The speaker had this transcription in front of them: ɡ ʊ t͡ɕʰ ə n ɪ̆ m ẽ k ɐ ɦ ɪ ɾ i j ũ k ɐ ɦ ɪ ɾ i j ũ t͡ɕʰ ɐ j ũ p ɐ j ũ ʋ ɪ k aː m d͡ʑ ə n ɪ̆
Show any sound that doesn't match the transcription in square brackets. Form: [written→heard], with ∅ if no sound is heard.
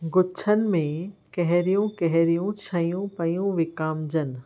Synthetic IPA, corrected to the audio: ɡ ʊ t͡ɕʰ ə n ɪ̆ m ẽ k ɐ ɦ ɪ ɾ i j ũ k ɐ ɦ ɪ ɾ i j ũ t͡ɕʰ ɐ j ũ p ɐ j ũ ʋ ɪ k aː m d͡ʑ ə n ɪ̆